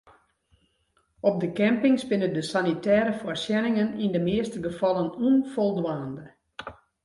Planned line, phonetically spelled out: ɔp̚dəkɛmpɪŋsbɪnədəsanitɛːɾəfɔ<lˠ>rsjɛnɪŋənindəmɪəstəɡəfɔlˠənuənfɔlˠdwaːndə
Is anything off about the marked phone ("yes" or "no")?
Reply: yes